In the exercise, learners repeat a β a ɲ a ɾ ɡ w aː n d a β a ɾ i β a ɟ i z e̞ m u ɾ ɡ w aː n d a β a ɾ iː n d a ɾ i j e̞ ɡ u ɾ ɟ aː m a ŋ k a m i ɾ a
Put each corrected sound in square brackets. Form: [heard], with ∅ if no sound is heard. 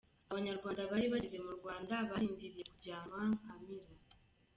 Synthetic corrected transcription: a β a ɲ a ɾ ɡ w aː n d a β a ɾ i β a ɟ i z e̞ m u ɾ ɡ w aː n d a β a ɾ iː n d [i] ɾ i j e̞ [k] u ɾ ɟ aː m a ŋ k a m i ɾ a